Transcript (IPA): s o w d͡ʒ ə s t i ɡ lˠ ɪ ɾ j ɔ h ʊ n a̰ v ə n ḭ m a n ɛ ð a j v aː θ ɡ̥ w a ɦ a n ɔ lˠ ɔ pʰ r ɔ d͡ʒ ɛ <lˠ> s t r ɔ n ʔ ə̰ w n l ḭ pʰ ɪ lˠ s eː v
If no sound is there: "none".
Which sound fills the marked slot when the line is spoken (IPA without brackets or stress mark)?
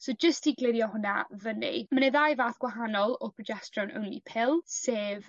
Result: none